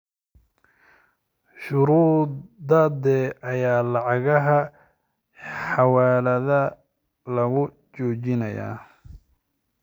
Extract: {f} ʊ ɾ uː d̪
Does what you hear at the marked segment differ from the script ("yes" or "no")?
yes